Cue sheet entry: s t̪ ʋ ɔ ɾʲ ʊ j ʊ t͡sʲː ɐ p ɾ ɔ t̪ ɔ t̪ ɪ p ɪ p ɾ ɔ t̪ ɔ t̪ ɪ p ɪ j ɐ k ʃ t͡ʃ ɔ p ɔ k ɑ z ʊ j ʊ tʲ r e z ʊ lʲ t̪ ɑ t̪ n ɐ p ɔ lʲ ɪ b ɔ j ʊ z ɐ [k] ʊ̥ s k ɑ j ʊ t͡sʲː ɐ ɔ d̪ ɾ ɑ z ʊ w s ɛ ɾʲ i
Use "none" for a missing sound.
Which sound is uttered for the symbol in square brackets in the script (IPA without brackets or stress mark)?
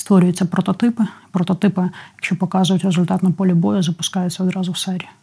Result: p